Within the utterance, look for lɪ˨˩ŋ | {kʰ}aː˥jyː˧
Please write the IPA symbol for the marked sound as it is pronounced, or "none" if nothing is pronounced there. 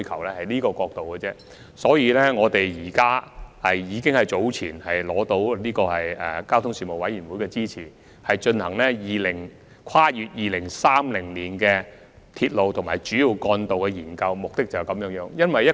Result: kʰ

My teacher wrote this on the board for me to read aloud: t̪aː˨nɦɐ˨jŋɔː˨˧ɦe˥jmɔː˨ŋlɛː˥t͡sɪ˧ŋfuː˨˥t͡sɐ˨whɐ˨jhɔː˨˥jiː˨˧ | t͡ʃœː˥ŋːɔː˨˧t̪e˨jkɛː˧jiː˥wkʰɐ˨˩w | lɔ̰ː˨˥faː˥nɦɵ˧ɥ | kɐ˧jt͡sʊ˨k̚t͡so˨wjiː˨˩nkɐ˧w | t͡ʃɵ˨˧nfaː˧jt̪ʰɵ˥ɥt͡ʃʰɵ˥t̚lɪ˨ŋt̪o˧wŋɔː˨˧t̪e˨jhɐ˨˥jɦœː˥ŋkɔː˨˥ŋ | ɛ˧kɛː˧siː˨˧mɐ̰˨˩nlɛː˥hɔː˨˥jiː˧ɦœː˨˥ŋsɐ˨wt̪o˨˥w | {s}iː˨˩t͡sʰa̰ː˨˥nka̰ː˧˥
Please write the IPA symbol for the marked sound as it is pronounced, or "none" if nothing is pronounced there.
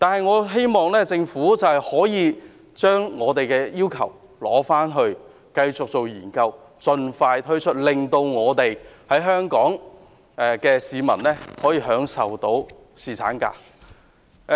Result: s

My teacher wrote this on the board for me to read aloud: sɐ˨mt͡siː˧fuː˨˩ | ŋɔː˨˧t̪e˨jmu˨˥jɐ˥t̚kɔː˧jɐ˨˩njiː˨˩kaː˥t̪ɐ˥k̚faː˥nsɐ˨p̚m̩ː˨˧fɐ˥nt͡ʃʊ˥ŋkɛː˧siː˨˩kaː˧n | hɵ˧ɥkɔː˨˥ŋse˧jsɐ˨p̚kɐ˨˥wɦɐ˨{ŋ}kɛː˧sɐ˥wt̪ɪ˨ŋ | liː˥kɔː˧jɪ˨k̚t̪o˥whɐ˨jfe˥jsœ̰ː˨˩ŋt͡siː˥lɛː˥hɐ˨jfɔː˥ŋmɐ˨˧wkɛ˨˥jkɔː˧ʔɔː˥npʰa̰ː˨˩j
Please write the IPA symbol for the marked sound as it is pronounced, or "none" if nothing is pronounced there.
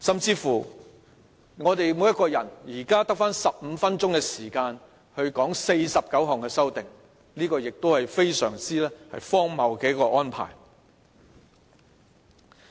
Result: ŋ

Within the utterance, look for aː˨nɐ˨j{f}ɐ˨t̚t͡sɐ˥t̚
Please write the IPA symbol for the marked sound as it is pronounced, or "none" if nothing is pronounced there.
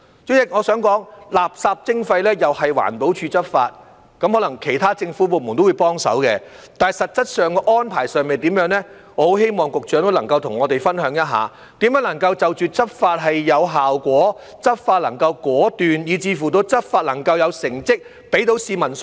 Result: s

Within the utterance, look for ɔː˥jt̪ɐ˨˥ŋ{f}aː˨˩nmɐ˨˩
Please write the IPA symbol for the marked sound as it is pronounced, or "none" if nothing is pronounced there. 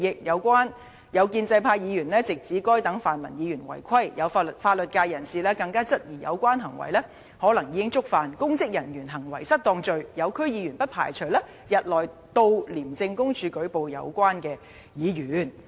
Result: f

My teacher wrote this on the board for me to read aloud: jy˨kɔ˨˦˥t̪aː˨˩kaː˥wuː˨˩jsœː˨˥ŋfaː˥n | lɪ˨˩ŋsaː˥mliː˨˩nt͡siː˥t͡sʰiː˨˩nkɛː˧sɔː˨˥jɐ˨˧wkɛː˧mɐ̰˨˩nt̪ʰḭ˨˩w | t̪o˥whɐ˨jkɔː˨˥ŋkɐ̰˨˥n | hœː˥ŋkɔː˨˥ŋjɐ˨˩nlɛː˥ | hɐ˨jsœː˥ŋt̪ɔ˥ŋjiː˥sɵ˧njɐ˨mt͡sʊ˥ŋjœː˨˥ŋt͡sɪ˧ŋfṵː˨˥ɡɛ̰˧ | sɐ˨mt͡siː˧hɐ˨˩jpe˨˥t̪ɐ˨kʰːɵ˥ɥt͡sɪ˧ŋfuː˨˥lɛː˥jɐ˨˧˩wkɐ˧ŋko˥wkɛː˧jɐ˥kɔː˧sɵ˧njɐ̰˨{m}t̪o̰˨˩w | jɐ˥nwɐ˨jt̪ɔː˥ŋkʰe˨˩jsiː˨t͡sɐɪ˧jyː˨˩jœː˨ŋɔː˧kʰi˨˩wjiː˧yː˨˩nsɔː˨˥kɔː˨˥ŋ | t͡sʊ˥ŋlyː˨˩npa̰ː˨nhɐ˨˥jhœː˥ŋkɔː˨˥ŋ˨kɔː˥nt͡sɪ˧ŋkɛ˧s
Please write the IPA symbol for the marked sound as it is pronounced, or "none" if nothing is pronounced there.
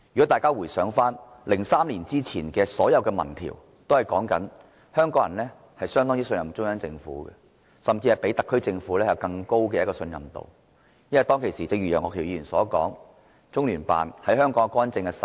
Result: m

